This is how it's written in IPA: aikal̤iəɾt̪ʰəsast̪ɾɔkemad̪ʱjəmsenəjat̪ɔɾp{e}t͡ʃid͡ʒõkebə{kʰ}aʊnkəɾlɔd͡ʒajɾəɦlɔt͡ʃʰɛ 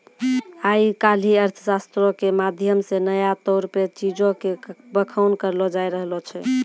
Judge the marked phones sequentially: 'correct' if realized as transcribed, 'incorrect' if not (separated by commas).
correct, correct